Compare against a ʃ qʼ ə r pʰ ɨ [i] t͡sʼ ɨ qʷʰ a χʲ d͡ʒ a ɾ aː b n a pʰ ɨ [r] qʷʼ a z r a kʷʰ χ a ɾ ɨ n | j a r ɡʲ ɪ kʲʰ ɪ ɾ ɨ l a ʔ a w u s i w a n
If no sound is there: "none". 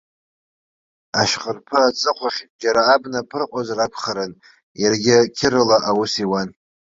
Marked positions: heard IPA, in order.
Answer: a, r

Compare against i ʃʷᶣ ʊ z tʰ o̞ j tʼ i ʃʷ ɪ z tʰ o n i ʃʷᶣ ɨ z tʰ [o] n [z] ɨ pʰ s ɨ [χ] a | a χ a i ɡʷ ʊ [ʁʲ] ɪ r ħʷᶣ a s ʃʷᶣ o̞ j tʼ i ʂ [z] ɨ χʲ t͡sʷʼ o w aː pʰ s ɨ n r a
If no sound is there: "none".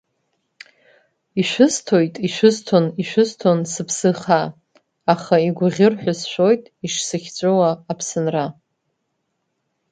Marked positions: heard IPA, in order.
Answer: o, s, χ, ʁʲ, s

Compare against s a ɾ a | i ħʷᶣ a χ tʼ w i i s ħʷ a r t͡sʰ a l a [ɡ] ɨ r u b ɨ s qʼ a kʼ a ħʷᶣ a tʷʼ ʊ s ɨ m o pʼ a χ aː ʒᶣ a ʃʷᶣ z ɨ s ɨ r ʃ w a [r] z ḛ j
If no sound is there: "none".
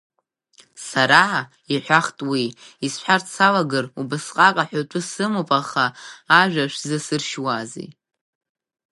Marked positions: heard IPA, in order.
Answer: ɡ, none

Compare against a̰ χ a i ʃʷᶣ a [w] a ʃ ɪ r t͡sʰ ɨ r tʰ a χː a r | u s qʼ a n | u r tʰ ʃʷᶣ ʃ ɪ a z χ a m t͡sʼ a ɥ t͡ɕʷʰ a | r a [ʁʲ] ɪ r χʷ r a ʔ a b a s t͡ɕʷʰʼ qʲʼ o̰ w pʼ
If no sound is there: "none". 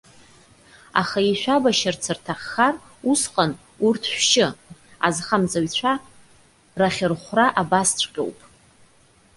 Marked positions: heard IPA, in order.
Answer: b, χʲ

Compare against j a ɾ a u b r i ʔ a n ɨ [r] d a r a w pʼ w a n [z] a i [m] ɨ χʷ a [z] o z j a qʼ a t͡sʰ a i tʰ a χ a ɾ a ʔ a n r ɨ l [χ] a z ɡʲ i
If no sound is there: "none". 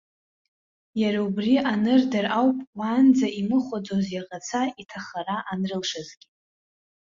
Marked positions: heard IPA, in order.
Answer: r, d͡z, m, d͡z, ʂ

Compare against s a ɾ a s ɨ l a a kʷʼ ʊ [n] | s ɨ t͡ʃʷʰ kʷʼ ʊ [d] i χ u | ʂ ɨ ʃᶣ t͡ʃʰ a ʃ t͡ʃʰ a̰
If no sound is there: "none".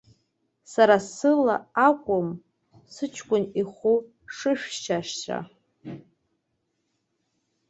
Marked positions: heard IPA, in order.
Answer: m, n

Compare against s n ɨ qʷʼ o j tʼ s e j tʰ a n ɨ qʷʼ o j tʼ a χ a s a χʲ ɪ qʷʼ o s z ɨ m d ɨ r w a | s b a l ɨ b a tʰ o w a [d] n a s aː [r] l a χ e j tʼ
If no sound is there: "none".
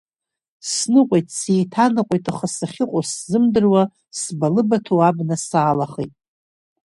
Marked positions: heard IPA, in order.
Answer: b, none

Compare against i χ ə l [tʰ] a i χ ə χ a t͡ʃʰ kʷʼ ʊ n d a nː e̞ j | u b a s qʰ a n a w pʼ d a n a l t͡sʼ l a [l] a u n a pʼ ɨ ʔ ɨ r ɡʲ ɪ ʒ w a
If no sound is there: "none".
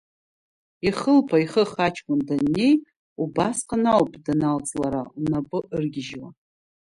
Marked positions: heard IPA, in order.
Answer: pʰ, ɾ

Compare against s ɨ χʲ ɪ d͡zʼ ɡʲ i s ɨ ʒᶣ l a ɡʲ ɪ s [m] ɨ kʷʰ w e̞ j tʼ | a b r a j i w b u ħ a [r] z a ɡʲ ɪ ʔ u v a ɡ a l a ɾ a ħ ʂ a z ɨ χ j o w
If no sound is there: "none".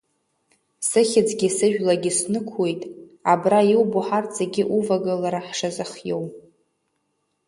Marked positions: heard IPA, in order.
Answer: n, r

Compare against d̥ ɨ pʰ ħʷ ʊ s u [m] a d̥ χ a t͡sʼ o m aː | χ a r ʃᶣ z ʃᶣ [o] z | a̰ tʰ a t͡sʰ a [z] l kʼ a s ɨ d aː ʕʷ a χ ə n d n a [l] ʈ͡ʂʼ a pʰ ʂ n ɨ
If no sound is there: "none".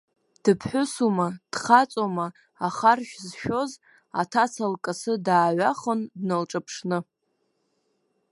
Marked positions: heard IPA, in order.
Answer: m, o, none, l

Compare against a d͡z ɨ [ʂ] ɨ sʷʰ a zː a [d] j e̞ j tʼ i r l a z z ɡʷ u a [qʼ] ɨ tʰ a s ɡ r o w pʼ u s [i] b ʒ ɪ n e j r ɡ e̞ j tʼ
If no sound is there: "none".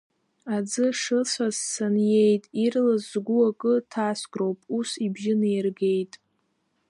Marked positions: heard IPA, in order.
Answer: ʂ, n, kʼ, i

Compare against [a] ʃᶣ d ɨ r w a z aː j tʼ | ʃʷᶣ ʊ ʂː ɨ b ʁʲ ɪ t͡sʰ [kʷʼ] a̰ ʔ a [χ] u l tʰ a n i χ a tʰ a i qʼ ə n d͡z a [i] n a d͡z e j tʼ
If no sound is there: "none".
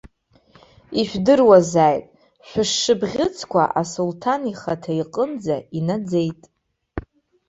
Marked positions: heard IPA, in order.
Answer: i, kʷ, s, i

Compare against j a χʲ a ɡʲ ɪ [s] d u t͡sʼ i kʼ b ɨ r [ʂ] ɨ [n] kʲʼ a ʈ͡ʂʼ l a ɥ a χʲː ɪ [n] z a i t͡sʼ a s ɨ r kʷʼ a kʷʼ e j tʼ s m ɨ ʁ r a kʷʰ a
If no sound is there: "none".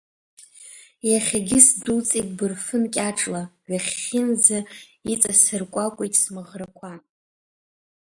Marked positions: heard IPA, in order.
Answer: s, f, n, n

